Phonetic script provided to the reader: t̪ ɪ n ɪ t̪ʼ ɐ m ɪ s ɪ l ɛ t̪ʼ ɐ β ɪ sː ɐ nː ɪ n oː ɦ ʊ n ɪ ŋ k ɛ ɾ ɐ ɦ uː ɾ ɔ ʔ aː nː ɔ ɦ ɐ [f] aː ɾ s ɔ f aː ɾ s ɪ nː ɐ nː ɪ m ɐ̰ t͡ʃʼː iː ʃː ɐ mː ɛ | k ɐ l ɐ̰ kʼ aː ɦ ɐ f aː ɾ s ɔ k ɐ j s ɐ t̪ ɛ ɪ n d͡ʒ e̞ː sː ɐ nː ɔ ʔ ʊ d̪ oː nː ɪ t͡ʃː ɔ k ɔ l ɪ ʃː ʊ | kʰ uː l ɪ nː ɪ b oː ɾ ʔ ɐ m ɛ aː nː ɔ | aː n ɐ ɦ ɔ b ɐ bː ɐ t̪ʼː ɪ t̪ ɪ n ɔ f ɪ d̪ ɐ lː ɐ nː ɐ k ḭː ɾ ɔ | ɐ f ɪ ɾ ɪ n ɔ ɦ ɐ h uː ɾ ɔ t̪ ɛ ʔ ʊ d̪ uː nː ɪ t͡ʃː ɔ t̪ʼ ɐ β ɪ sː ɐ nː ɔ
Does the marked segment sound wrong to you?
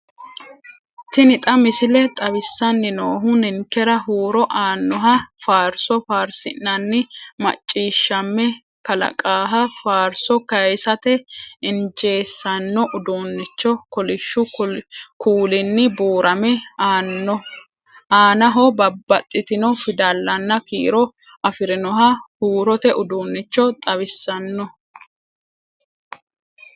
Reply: no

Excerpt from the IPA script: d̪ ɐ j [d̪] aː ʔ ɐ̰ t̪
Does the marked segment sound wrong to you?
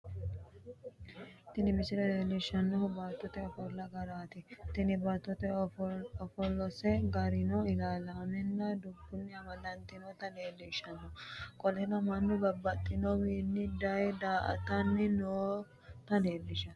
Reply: no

